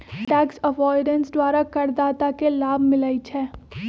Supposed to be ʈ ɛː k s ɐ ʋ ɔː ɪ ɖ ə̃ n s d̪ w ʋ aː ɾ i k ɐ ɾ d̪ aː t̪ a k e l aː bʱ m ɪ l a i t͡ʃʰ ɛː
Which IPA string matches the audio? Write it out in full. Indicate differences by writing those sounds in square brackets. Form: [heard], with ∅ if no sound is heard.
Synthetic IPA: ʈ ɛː k s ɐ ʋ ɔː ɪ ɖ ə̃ n s d̪ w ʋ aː ɾ [a] k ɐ ɾ d̪ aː t̪ a k e l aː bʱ m ɪ l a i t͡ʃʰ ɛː